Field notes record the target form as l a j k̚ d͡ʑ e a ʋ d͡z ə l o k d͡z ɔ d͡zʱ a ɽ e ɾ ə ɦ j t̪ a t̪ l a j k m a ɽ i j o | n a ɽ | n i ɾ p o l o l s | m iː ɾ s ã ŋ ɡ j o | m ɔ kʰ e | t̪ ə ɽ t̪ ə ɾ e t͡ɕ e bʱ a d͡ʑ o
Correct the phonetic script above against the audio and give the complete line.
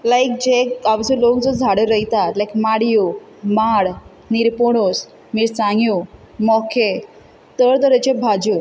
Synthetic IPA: l a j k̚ d͡ʑ e a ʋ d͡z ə l o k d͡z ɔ d͡zʱ a ɽ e ɾ ə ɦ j t̪ a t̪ l a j k m a ɽ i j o | m a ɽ | n i ɾ p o ɽ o s | m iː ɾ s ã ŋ ɡ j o | m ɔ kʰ e | t̪ ə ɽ t̪ ə ɾ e t͡ɕ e bʱ a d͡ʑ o

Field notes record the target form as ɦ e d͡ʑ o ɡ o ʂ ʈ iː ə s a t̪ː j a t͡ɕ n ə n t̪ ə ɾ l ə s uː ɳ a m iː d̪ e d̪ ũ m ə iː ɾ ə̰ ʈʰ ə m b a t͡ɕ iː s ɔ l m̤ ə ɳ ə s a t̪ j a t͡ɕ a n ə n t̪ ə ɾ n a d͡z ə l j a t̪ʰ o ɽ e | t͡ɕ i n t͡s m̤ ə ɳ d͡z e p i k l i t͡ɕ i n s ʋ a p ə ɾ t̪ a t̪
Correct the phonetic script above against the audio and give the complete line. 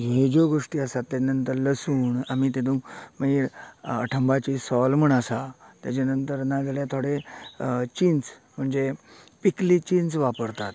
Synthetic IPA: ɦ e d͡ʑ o ɡ o ʂ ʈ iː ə s a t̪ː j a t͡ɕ n ə n t̪ ə ɾ l ə s uː ɳ a m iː t̪ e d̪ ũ m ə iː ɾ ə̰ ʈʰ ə m b a t͡ɕ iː s ɔ l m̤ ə ɳ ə s a t̪ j a t͡ɕ a n ə n t̪ ə ɾ n a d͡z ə l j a t̪ʰ o ɽ e | t͡ɕ i n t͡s m̤ ə ɳ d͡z e p i k l i t͡ɕ i n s ʋ a p ə ɾ t̪ a t̪

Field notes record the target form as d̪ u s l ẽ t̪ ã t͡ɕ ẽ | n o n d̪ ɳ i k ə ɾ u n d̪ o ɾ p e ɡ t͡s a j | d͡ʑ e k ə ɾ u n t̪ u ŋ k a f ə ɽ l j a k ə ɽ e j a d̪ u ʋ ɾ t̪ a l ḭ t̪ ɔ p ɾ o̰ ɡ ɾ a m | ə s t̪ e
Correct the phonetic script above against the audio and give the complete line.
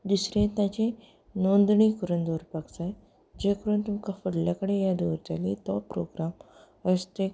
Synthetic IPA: d̪ u s ɾ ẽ t̪ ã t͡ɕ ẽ | n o n d̪ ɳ i k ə ɾ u n d̪ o ɾ p a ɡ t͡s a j | d͡ʑ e k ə ɾ u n t̪ u m k a f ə ɽ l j a k ə ɽ e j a d̪ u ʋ ɾ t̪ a l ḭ t̪ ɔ p ɾ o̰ ɡ ɾ a m | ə s t̪ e

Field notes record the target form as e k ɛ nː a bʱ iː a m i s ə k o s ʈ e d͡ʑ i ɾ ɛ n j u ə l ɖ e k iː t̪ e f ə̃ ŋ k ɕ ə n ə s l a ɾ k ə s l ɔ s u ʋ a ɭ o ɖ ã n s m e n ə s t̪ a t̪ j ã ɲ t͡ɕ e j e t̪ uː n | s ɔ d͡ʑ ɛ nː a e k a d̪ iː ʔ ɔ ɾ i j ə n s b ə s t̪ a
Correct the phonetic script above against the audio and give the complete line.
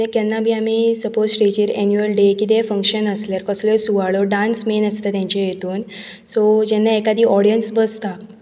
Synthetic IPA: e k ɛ nː a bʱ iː a m i s ə p o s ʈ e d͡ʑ i ɾ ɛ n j u ə l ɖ e k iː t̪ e f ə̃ ŋ k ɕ ə n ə s l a ɾ k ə s l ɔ s u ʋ a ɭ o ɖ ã n s m e n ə s t̪ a t̪ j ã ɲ t͡ɕ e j e t̪ uː n | s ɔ d͡ʑ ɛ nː a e k a d̪ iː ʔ ɔ ɽ i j ə n s b ə s t̪ a

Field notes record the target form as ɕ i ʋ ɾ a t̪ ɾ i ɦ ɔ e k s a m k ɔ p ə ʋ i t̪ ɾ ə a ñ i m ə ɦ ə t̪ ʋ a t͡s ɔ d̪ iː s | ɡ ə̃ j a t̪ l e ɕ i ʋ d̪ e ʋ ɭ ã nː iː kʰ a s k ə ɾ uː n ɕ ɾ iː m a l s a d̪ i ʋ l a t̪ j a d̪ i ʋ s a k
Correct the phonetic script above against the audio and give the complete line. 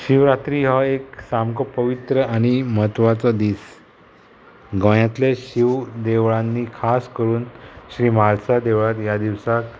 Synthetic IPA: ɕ i ʋ ɾ a t̪ ɾ i ɦ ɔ e k s a m k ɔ p ə ʋ i t̪ ɾ ə a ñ i m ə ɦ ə t̪ ʋ a t͡s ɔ d̪ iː s | ɡ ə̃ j a t̪ l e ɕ i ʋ d̪ e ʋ ɭ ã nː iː kʰ a s k ə ɾ uː n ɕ ɾ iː m a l s a d̪ e ʋ ɭ a t̪ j a d̪ i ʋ s a k

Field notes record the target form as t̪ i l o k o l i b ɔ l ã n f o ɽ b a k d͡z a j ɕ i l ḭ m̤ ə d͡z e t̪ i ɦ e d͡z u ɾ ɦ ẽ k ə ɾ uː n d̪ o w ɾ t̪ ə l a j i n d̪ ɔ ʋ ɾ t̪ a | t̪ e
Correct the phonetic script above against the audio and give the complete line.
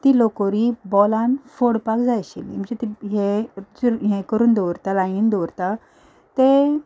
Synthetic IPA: t̪ i l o k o ɾ i b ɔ l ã n f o ɽ p a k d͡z a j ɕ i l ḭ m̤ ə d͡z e t̪ i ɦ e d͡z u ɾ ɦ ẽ k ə ɾ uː n d̪ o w ɾ t̪ a l a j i n d̪ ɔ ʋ ɾ t̪ a | t̪ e

